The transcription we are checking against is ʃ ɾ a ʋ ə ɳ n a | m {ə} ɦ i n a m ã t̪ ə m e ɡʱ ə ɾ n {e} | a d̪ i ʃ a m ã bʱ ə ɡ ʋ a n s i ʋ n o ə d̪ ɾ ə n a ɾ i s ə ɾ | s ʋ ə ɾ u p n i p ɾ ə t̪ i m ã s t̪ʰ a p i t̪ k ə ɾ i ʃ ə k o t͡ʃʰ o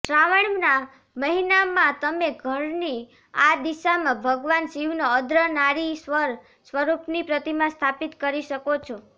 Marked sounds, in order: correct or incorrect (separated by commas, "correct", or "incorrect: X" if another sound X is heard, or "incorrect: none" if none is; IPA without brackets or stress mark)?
correct, incorrect: i